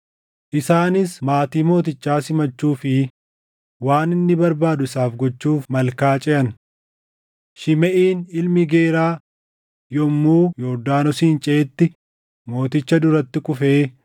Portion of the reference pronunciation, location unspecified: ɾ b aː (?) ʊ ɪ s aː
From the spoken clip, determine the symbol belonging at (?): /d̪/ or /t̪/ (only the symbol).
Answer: d̪